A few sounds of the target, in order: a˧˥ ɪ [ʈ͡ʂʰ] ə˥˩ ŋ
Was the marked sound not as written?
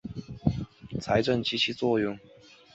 yes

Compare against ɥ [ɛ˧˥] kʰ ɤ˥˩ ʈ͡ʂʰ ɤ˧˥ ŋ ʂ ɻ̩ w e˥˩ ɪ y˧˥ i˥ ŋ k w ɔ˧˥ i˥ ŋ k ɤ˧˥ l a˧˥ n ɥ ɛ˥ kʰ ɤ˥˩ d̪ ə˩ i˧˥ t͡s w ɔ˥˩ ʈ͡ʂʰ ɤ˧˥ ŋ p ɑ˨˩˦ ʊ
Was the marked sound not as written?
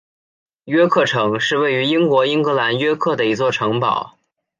yes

